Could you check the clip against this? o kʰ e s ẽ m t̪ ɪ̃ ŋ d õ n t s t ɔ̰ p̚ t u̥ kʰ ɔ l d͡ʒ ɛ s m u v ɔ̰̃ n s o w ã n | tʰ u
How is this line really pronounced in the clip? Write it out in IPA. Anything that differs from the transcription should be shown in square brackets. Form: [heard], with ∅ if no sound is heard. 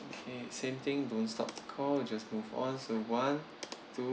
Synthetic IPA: o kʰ e s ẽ m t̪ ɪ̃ ŋ d õ n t s t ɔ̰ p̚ t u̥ kʰ ɔ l d͡ʒ [a] s m u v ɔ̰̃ n s o w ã n | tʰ u